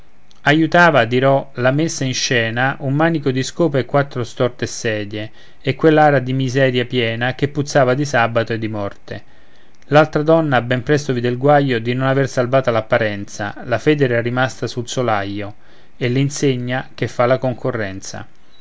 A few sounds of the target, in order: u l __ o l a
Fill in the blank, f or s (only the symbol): s